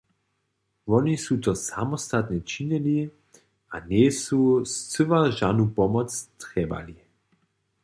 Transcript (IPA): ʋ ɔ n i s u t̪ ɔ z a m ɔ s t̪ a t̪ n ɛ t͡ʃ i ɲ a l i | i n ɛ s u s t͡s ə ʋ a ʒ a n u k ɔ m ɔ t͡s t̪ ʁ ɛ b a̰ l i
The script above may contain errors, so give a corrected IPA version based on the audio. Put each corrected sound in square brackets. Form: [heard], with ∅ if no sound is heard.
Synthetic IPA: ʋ ɔ n i s u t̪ ɔ [s] a m ɔ s t̪ a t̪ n ɛ t͡ʃ i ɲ [ɛ] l i | [a] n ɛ s u s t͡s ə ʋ a ʒ a n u [p] ɔ m ɔ t͡s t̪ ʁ ɛ b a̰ l i

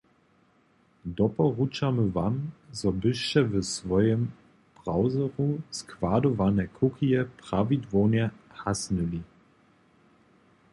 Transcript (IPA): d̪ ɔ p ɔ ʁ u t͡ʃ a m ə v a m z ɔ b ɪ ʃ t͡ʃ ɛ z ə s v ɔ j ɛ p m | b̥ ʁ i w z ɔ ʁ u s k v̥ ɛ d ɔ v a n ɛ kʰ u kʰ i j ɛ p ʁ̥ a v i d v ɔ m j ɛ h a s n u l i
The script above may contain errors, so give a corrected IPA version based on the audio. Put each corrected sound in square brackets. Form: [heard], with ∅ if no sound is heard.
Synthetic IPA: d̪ ɔ p ɔ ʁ u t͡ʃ a m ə v a m z ɔ b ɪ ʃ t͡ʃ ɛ [v] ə s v ɔ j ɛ [∅] m | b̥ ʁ [a] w z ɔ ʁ u s k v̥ [a] d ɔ v a n ɛ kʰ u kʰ i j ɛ p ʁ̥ a v i d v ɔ [n] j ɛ h a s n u l i

